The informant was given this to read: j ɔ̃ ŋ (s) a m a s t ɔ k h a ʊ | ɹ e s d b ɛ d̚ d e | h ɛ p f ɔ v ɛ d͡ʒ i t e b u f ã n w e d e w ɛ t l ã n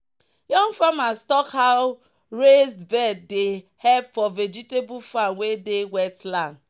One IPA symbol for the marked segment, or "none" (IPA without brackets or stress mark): f